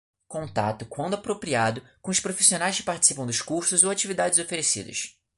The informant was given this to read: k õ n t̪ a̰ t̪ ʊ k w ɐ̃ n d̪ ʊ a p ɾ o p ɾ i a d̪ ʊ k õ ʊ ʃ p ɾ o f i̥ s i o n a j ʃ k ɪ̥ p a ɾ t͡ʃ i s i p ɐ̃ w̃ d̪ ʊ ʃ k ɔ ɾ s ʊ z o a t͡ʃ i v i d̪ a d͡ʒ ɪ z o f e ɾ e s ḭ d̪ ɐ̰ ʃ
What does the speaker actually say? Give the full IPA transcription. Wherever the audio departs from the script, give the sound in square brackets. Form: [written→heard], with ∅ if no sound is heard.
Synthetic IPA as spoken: k õ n t̪ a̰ t̪ ʊ k w ɐ̃ n d̪ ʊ a p ɾ o p ɾ i a d̪ ʊ k õ ʊ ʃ p ɾ o f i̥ s i o n a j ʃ k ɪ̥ p a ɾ t͡ʃ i s i p ɐ̃ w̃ d̪ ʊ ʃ k [ɔ→u] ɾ s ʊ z o a t͡ʃ i v i d̪ a d͡ʒ ɪ z o f e ɾ e s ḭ d̪ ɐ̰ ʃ